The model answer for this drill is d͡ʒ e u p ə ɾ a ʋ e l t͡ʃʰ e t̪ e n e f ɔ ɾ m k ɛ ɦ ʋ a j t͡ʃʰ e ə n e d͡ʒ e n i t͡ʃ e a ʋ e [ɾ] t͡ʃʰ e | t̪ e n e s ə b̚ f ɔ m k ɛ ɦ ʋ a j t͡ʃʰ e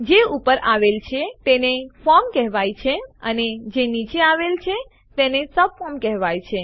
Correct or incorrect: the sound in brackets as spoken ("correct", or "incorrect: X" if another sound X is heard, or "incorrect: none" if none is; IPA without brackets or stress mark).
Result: incorrect: l